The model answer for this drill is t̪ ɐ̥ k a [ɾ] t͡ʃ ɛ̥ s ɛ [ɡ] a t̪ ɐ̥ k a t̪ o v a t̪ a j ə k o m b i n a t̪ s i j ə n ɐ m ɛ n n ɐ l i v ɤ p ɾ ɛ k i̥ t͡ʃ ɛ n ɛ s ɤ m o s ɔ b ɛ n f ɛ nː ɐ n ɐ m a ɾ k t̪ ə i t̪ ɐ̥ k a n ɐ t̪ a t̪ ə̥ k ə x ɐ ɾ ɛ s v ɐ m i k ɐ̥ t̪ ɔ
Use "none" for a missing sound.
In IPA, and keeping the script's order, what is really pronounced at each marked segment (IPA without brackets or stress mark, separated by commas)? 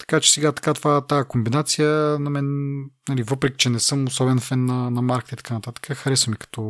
none, ɡ